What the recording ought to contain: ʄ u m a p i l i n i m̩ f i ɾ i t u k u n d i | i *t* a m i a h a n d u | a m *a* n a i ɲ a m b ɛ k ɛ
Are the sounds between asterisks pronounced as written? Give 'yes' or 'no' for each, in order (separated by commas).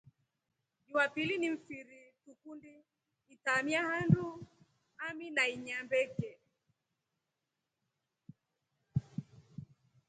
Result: yes, no